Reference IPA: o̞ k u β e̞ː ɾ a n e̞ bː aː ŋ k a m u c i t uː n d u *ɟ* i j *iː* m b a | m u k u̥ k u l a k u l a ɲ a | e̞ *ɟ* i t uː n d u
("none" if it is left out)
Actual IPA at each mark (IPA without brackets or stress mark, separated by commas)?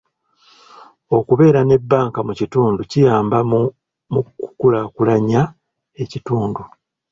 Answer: c, aː, c